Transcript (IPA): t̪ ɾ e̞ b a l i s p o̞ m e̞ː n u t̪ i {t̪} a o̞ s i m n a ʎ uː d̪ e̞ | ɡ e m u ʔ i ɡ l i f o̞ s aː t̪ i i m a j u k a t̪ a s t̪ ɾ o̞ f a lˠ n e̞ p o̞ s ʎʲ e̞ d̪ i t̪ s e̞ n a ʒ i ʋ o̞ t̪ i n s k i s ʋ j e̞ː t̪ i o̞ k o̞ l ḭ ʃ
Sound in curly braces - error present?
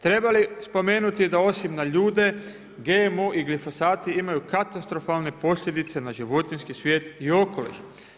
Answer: yes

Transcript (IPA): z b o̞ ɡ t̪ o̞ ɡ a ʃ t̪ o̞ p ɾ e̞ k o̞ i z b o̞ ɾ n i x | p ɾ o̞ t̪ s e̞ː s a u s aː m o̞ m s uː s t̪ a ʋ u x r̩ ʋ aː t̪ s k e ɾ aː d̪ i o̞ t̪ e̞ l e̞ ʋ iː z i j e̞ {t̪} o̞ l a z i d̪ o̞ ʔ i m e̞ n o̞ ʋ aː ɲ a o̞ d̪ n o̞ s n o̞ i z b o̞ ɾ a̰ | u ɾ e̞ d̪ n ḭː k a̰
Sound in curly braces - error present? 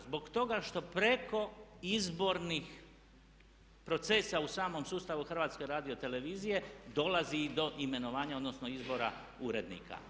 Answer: yes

